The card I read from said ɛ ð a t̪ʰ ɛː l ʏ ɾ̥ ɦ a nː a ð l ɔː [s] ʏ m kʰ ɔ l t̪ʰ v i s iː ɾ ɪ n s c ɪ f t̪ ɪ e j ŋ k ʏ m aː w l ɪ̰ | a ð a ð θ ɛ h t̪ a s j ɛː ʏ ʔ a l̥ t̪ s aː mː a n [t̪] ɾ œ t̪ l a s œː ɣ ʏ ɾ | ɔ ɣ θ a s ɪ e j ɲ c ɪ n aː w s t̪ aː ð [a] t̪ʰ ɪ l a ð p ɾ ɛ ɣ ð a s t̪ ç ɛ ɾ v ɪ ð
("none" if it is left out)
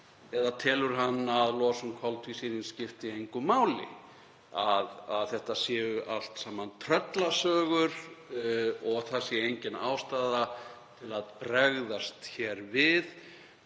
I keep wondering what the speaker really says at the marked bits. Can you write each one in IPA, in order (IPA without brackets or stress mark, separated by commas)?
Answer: s, t̪ʰ, a